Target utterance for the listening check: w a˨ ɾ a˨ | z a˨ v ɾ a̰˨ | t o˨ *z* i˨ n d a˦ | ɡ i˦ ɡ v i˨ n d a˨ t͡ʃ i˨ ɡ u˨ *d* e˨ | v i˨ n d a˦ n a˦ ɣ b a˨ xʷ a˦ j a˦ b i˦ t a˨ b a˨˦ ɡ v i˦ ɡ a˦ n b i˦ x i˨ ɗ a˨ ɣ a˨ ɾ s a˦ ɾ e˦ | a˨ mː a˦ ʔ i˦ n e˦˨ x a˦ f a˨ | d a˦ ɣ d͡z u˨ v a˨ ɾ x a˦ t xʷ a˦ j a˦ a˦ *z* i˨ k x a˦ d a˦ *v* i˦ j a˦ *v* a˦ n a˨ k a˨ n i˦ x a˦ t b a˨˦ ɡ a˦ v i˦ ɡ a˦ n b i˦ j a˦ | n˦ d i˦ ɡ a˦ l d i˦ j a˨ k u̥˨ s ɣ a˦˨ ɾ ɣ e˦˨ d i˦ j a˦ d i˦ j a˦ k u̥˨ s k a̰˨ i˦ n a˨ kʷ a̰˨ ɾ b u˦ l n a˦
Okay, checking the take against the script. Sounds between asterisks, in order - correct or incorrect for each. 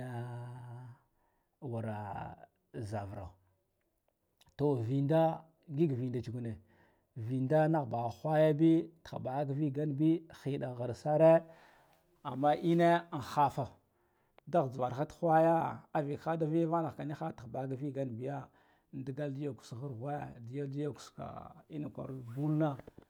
incorrect, incorrect, incorrect, correct, correct

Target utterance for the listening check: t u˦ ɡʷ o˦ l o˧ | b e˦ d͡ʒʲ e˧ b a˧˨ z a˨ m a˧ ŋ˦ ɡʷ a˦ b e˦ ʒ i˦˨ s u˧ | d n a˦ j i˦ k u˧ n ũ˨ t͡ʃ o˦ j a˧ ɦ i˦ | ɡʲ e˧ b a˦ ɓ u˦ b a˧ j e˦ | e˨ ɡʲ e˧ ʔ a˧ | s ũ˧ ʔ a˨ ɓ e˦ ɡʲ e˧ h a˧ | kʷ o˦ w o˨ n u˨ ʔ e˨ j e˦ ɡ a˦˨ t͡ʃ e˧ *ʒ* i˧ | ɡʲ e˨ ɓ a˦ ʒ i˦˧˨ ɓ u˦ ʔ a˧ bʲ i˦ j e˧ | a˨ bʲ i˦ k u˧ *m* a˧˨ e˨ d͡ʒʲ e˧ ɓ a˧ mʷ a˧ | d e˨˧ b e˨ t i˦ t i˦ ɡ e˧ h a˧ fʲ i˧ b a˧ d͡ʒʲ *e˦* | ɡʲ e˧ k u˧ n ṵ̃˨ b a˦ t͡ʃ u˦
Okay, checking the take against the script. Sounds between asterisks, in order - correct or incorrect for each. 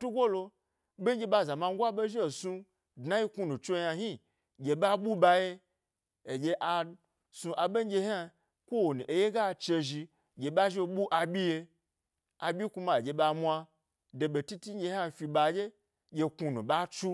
correct, correct, correct

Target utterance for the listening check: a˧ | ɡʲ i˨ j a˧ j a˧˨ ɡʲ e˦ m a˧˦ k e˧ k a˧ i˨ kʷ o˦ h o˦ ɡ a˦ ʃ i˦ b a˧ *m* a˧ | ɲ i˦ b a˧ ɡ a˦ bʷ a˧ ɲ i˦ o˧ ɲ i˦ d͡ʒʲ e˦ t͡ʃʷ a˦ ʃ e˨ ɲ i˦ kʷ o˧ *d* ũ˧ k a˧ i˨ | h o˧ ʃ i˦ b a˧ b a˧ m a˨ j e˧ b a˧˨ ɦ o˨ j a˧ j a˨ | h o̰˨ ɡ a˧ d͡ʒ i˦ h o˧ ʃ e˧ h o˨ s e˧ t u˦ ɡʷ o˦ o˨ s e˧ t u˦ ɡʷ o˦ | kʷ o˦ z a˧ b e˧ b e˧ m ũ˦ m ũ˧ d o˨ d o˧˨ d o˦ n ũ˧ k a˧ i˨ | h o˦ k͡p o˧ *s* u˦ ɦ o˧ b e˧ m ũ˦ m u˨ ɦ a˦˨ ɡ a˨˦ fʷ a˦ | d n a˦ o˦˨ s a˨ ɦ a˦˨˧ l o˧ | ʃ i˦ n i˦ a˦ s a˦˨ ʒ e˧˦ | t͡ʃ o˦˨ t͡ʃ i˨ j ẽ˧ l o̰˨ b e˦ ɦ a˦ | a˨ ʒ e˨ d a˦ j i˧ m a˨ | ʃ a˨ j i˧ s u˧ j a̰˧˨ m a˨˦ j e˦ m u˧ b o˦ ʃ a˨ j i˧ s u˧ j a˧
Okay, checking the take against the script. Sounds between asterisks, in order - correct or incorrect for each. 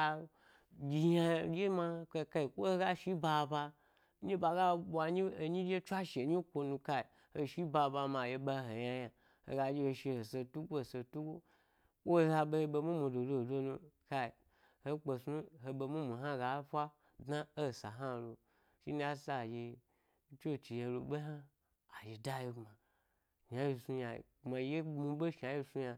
incorrect, incorrect, correct

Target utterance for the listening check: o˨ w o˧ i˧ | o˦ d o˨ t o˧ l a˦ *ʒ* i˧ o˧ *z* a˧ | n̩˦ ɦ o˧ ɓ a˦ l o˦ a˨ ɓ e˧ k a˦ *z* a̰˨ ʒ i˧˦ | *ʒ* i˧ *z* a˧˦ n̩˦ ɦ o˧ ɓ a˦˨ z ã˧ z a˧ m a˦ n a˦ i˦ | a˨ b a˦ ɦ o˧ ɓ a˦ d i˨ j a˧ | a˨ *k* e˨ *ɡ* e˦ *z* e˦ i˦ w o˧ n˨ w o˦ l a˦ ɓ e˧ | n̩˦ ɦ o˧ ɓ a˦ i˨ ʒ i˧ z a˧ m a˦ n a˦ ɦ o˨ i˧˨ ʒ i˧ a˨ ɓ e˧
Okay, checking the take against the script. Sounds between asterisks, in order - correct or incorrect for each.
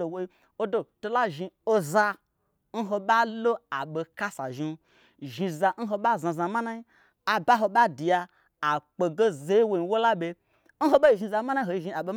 correct, correct, incorrect, correct, correct, incorrect, correct, correct

